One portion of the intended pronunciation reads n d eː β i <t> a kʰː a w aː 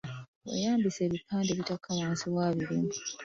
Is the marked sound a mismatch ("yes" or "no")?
no